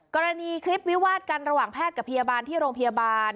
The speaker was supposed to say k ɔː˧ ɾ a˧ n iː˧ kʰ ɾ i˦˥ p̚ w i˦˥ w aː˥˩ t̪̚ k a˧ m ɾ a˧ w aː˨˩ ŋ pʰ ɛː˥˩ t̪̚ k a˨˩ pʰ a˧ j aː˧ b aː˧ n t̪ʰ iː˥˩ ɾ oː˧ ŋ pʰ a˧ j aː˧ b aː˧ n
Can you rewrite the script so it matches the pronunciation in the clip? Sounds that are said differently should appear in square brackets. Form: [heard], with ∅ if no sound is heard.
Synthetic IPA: k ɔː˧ ɾ a˧ n iː˧ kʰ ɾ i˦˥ p̚ w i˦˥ w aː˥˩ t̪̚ k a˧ [n] ɾ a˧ w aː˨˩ ŋ pʰ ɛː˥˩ t̪̚ k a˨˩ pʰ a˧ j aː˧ b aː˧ n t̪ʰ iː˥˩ ɾ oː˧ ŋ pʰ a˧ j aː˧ b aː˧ n